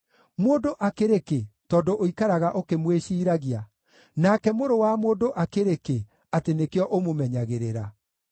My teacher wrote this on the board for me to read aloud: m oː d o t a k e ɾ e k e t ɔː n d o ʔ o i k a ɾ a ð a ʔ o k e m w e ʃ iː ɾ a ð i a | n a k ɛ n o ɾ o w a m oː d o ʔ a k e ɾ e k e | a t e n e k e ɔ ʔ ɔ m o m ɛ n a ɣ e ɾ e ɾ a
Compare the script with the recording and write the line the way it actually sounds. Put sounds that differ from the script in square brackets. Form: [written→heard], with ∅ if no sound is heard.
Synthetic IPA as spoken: m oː d o [t→ʔ] a k e ɾ e k e t ɔː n d o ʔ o i k a ɾ a [ð→ɣ] a ʔ o k e m w e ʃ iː ɾ a [ð→ɣ] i a | n a k ɛ [n→m] o ɾ o w a m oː d o ʔ a k e ɾ e k e | a t e n e k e ɔ ʔ [ɔ→o] m o m ɛ [n→ɲ] a ɣ e ɾ e ɾ a